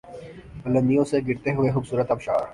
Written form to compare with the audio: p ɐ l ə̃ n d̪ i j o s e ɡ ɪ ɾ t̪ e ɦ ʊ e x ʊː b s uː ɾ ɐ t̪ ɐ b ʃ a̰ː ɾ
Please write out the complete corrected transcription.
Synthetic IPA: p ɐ l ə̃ n d̪ i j õ s e ɡ ɪ ɾ t̪ e ɦ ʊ e x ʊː b s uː ɾ ə t̪ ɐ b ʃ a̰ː ɾ